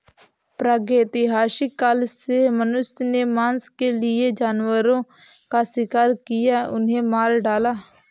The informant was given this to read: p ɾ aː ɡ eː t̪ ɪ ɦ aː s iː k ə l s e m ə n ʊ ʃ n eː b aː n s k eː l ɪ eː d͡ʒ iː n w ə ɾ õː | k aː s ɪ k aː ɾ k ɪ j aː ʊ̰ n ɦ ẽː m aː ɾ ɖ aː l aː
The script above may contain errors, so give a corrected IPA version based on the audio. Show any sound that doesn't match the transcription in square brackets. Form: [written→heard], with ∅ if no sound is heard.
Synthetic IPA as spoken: p ɾ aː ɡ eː t̪ ɪ ɦ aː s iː k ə l s e m ə n ʊ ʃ n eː [b→m] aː n s k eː l ɪ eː d͡ʒ [iː→aː] n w ə ɾ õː | k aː s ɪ k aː ɾ k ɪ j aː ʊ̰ n ɦ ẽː m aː ɾ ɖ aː l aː